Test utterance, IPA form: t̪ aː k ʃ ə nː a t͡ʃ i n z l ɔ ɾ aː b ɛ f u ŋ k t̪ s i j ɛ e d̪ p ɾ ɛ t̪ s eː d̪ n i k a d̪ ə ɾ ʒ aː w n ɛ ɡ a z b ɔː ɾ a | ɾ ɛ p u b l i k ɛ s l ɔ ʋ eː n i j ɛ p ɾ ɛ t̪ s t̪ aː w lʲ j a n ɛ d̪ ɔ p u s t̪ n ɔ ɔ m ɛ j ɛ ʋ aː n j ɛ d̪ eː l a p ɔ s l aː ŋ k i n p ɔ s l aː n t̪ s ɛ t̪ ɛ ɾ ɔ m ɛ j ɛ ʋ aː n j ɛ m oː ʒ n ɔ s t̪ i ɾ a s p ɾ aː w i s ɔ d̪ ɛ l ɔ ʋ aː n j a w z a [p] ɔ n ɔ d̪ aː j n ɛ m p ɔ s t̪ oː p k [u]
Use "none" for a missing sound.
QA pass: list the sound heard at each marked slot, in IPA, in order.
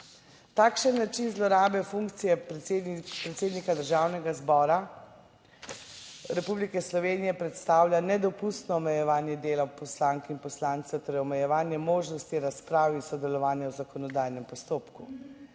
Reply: k, u

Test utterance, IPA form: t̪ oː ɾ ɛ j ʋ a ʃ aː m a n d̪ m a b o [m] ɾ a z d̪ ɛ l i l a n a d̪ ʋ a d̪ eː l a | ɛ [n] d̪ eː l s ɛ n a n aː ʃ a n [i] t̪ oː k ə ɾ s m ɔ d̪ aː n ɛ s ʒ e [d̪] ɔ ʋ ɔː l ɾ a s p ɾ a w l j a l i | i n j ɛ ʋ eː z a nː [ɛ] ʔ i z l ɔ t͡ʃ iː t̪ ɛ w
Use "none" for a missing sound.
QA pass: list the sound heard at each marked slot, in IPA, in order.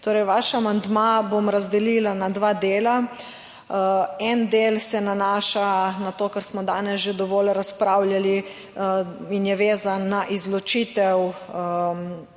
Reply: m, n, a, d̪, a

